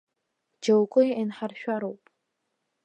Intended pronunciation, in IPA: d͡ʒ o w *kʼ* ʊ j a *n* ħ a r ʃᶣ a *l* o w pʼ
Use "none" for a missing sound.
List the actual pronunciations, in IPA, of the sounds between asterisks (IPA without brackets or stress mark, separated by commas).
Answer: kʼ, n, ɾ